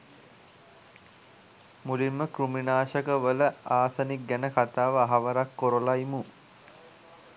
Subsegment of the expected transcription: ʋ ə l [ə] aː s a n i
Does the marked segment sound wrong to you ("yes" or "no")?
no